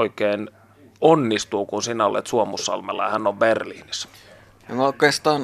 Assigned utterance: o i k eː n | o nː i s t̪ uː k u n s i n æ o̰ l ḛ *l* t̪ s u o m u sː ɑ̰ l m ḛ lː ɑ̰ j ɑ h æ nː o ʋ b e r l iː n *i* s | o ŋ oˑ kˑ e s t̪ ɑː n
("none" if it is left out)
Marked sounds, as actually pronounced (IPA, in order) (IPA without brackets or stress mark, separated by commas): none, i